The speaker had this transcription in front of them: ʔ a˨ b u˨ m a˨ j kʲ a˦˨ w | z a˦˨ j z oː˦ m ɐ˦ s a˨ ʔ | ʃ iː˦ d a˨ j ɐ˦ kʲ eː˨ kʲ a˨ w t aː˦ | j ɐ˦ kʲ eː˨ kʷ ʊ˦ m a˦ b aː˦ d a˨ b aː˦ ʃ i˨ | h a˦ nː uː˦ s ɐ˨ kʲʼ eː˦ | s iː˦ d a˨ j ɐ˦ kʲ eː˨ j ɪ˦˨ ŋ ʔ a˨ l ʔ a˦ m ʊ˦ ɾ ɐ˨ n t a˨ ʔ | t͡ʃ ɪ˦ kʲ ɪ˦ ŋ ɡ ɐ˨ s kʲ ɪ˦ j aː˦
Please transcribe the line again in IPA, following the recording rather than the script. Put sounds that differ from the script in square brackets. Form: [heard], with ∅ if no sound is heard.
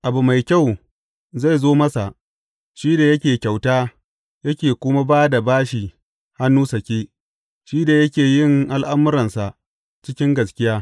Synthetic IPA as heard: ʔ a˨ b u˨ m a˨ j kʲ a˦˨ w | z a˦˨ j z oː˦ m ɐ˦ s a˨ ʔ | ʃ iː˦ d a˨ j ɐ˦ kʲ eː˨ kʲ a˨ w t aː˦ | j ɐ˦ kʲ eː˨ kʷ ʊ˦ m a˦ b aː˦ d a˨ b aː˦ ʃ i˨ | h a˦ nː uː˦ s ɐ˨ [kʲ] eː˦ | [ʃ] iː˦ d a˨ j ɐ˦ kʲ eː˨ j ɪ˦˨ ŋ ʔ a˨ l ʔ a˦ m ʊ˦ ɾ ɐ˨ n [s] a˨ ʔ | t͡ʃ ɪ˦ kʲ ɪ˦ ŋ ɡ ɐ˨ s kʲ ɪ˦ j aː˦

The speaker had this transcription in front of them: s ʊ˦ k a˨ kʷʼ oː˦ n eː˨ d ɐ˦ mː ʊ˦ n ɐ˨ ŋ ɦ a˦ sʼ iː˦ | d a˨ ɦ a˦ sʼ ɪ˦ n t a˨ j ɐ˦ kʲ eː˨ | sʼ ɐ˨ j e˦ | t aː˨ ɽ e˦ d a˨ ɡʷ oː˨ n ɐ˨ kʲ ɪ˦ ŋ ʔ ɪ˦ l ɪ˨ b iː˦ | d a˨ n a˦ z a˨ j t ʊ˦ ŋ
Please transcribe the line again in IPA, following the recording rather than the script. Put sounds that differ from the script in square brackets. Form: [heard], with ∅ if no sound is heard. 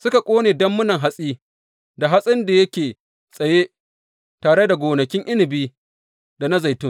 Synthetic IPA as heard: s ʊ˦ k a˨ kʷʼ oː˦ n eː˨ d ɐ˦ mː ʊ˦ n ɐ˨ ŋ ɦ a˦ sʼ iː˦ | d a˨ ɦ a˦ sʼ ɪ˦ n [d] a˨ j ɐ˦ kʲ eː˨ | sʼ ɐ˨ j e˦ | t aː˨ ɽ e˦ d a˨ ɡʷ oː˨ n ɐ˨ kʲ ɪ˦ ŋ ʔ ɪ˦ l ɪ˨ b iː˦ | d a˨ n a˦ z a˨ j t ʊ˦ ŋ

